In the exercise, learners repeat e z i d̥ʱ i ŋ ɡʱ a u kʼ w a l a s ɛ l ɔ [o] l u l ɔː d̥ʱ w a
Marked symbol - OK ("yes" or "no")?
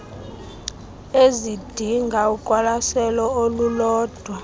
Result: yes